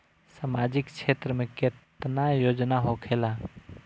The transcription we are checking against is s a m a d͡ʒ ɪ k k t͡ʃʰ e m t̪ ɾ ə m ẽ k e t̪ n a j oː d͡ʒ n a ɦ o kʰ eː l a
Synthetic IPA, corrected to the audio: s a m a d͡ʒ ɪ k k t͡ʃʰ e t̪ ɾ ə m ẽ k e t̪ n a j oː d͡ʒ n a ɦ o kʰ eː l a